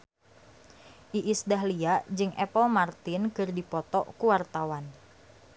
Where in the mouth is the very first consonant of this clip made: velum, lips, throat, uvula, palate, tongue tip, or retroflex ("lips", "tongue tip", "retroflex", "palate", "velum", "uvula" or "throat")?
throat